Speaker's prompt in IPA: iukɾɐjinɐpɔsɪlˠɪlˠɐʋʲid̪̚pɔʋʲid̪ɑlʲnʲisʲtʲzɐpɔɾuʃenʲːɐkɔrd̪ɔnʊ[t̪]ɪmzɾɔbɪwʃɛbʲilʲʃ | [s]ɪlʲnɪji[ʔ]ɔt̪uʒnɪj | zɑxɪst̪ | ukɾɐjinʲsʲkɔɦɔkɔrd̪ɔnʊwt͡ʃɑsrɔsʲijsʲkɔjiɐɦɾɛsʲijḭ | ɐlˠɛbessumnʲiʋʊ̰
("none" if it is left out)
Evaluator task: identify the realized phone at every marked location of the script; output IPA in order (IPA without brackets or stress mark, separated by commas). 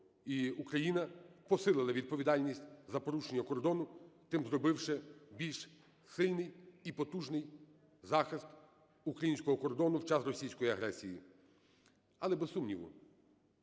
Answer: t̪, s, p